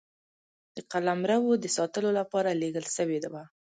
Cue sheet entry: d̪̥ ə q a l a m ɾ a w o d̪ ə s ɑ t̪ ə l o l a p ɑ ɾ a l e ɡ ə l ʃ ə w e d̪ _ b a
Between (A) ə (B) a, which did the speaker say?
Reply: B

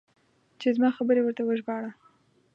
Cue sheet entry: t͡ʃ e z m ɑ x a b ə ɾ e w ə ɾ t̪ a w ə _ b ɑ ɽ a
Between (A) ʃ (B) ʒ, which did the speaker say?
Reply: B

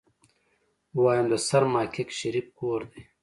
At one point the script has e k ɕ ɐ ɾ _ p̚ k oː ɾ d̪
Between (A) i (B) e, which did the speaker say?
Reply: A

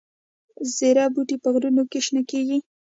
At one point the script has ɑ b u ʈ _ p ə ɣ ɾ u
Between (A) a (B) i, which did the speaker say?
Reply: B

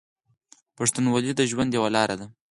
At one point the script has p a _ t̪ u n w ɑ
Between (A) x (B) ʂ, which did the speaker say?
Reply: B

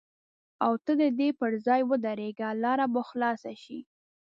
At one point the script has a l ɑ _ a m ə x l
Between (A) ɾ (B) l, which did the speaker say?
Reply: A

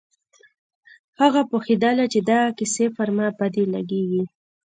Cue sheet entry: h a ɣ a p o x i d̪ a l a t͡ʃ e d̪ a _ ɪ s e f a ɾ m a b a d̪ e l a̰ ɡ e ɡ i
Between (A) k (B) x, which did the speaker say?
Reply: A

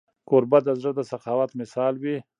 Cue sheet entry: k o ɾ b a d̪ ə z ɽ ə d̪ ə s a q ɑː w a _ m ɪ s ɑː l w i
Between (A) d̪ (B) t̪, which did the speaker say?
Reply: B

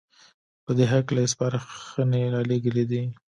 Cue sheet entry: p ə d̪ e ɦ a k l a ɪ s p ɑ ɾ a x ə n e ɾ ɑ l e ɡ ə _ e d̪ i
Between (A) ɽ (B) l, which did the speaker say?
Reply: B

